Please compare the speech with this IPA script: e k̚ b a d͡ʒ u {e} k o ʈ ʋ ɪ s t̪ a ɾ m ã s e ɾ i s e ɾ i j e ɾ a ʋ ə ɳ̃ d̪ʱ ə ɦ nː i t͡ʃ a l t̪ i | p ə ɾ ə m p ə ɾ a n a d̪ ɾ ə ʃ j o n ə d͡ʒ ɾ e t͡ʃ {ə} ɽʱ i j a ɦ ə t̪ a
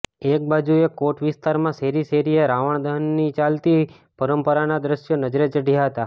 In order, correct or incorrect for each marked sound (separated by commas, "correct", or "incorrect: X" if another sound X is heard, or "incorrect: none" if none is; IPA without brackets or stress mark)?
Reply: correct, correct